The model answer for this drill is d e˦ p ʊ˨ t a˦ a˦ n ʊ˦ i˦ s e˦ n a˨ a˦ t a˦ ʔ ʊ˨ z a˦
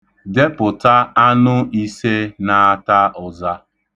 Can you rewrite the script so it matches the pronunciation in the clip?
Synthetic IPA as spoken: d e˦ p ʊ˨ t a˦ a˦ n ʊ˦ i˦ s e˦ n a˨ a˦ t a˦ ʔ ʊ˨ z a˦